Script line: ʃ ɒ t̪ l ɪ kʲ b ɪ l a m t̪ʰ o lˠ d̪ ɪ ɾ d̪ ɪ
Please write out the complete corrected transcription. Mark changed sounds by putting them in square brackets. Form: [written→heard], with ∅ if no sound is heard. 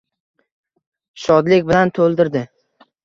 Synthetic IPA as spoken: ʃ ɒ [t̪→d̪] l ɪ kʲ b ɪ l a [m→n] t̪ʰ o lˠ d̪ ɪ ɾ d̪ ɪ

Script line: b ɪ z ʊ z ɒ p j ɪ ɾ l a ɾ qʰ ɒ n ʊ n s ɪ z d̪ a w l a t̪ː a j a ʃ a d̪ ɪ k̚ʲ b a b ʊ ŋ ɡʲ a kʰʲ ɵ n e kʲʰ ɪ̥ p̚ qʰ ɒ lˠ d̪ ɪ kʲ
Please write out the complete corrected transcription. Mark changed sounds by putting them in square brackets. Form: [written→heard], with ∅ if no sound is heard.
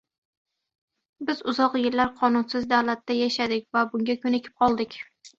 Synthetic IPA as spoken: b ɪ z ʊ z ɒ [p→q] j ɪ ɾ l a ɾ qʰ ɒ n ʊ n s ɪ z d̪ a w l a t̪ː a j a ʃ a d̪ ɪ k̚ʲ [b→v] a b ʊ ŋ ɡʲ a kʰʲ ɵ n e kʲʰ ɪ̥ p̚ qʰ ɒ lˠ d̪ ɪ kʲ

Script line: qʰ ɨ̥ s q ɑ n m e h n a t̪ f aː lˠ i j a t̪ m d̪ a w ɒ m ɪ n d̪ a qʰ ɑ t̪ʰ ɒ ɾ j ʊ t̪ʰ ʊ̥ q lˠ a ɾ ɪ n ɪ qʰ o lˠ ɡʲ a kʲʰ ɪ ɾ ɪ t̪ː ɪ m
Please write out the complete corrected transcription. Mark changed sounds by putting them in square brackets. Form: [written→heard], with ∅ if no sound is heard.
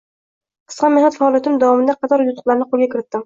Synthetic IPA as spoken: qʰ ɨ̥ s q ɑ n m e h n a t̪ f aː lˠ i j a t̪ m d̪ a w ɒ m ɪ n d̪ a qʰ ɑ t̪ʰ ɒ ɾ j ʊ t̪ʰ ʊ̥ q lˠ a ɾ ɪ n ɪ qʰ o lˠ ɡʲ a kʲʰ ɪ ɾ ɪ t̪ː ɪ m

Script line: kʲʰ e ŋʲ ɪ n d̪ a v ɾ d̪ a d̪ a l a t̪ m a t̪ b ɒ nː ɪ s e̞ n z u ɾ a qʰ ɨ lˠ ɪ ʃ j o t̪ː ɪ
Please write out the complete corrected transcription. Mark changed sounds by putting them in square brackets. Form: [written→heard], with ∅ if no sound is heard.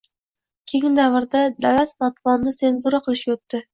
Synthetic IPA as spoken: kʲʰ e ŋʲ ɪ n d̪ a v ɾ d̪ a d̪ a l a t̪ m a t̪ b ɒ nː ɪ s e̞ n z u ɾ a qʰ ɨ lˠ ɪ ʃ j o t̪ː ɪ

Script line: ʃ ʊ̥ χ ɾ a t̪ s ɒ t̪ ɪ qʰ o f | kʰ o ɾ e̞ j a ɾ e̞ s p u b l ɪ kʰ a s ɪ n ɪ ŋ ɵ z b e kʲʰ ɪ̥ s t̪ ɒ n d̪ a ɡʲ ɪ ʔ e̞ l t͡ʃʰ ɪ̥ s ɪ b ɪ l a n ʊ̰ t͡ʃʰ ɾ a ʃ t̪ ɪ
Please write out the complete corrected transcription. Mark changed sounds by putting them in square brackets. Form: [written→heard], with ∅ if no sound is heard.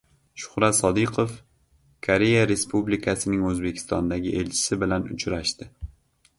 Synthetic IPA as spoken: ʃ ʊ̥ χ ɾ a t̪ s ɒ [t̪→d̪] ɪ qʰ o f | kʰ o ɾ e̞ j a ɾ e̞ s p u b l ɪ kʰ a s ɪ n ɪ ŋ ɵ z b e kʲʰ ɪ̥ s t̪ ɒ n d̪ a ɡʲ ɪ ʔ e̞ l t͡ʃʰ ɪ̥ s ɪ b ɪ l a n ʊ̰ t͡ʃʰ ɾ a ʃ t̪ ɪ

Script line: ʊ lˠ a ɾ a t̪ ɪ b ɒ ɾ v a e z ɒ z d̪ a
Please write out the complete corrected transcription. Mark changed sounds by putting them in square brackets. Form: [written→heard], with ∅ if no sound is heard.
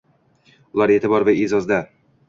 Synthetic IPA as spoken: ʊ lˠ a ɾ [a→e] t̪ ɪ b ɒ ɾ v a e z ɒ z d̪ a

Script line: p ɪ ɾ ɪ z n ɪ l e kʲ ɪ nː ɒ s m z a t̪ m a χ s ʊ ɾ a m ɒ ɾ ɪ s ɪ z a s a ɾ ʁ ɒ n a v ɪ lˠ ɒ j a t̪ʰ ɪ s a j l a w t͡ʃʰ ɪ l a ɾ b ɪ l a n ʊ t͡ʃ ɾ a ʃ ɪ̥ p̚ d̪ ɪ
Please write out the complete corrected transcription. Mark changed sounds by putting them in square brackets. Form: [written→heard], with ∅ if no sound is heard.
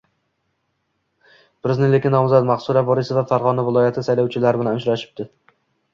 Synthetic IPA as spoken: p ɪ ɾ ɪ z n ɪ l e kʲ ɪ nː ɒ [s→∅] m z a t̪ m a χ s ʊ ɾ a [m→b] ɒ ɾ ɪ s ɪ [z→v] a [s→f] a ɾ ʁ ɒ n a v ɪ lˠ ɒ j a t̪ʰ ɪ s a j l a w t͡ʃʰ ɪ l a ɾ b ɪ l a n ʊ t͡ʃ ɾ a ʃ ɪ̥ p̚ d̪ ɪ

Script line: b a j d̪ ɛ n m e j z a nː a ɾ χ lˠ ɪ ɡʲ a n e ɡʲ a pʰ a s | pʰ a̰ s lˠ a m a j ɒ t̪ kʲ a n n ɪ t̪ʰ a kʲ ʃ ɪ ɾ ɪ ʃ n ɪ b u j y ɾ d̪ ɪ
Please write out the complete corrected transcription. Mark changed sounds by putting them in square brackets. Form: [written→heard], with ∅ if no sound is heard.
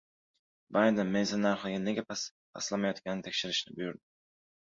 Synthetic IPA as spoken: b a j d̪ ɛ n m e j z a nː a ɾ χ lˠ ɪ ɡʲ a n e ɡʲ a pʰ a s | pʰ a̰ s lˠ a m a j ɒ t̪ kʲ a n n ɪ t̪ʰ [a→e] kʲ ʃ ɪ ɾ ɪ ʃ n ɪ b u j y ɾ d̪ ɪ

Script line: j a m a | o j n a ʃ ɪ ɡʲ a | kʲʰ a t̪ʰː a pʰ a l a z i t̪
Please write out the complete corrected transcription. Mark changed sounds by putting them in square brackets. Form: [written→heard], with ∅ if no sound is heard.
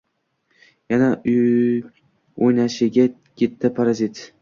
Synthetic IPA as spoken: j a [m→n] a | o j n a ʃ ɪ ɡʲ a | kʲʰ [a→e] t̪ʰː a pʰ a [l→ɾ] a z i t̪

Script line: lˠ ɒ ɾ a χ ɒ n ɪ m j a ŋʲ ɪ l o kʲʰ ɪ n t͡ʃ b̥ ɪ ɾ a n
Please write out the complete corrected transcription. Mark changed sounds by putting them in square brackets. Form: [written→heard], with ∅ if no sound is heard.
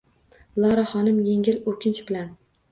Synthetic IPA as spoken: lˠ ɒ ɾ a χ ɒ n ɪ m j [a→e] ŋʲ ɪ l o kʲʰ ɪ n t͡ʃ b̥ ɪ [ɾ→l] a n

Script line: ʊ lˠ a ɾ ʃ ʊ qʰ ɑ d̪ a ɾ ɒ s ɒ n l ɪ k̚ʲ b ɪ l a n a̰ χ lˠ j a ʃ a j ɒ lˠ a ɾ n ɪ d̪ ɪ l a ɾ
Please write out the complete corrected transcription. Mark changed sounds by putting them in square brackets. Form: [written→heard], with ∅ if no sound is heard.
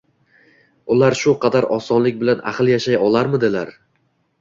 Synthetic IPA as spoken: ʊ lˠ a ɾ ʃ ʊ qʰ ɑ d̪ a ɾ ɒ s ɒ n l ɪ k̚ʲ b ɪ l a n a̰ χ lˠ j a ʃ a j ɒ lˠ a ɾ [n→m] ɪ d̪ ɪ l a ɾ

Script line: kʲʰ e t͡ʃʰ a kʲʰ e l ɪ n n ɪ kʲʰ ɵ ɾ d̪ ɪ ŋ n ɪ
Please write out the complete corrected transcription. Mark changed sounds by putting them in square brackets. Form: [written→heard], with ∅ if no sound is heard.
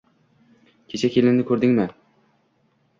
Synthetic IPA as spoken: kʲʰ e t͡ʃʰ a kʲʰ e l ɪ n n ɪ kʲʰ ɵ ɾ d̪ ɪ ŋ [n→m] ɪ

